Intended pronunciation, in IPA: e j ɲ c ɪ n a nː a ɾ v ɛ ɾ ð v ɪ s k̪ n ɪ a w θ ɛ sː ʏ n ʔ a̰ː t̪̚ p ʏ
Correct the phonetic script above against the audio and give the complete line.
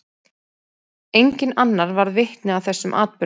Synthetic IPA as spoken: e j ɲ c ɪ n a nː a ɾ v a ɾ ð v ɪ h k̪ n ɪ a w θ ɛ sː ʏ m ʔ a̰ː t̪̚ p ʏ